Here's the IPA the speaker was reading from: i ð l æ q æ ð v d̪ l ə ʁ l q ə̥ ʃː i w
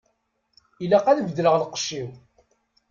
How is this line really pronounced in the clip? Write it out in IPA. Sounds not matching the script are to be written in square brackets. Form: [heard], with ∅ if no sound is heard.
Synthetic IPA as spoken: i [∅] l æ q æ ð v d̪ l ə ʁ l q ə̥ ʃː i w

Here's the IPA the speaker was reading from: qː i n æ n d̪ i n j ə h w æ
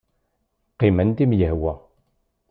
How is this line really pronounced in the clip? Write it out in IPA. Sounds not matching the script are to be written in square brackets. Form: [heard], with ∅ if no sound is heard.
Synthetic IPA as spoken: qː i [m] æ n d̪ i [m] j ə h w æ

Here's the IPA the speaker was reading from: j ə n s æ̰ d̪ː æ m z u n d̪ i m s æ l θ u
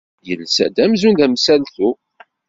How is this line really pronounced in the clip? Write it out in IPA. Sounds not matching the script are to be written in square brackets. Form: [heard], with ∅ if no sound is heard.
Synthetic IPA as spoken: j ə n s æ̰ [d̪] æ m z u n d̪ [æ] m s æ l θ u

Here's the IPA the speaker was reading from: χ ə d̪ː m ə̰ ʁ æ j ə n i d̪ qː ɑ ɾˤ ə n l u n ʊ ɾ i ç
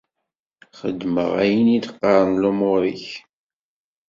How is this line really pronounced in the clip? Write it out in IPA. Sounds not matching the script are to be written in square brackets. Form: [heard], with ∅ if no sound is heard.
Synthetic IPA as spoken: χ ə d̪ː m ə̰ ʁ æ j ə n i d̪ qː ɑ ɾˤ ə n l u [m] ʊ ɾ i ç

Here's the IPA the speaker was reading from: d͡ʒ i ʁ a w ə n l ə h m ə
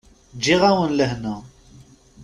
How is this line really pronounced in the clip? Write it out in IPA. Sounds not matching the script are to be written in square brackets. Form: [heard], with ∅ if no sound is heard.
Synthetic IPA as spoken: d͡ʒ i ʁ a w ə n l ə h [n] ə

